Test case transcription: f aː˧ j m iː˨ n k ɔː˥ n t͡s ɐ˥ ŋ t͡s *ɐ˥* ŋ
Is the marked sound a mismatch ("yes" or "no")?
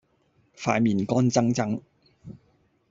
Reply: no